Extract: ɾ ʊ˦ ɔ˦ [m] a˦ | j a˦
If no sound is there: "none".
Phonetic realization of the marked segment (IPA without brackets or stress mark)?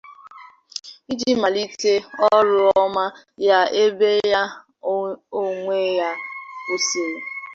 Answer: m